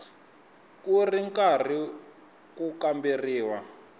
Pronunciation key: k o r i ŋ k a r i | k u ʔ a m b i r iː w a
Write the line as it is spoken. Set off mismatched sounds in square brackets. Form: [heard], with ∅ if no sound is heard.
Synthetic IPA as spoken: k [u] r i ŋ k a r i | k u [k] a m b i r iː w a